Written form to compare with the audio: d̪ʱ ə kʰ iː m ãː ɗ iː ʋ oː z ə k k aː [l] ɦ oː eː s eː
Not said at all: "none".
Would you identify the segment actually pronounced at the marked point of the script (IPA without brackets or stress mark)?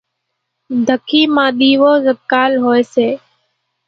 l